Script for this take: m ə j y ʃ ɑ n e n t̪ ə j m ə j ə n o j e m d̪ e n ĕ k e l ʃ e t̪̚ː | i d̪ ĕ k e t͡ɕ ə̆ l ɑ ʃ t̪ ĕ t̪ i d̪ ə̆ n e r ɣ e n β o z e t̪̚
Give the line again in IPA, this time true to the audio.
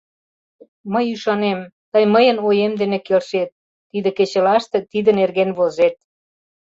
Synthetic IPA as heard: m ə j y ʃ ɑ n e m t̪ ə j m ə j ə n o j e m d̪ e n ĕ k e l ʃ e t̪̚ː | i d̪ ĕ k e t͡ɕ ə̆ l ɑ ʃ t̪ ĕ t̪ i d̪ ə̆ n e r ɣ e n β o z e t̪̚